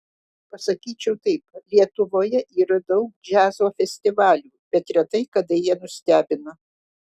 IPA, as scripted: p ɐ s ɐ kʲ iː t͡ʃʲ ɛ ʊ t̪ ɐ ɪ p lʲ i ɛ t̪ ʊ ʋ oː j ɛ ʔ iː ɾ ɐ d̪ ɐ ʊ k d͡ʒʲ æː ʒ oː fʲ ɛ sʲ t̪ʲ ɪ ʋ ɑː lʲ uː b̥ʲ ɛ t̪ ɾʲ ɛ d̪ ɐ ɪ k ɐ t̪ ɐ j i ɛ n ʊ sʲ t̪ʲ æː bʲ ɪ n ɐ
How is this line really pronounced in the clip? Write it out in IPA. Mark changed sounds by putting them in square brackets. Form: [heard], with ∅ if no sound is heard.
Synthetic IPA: p ɐ s ɐ kʲ iː t͡ʃʲ ɛ ʊ t̪ ɐ ɪ p lʲ i ɛ t̪ ʊ ʋ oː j ɛ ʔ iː ɾ ɐ d̪ ɐ ʊ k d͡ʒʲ æː [z] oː fʲ ɛ sʲ t̪ʲ ɪ ʋ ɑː lʲ uː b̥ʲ ɛ t̪ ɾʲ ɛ [t̪] ɐ ɪ k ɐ [d̪] ɐ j i ɛ n ʊ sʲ t̪ʲ æː bʲ ɪ n ɐ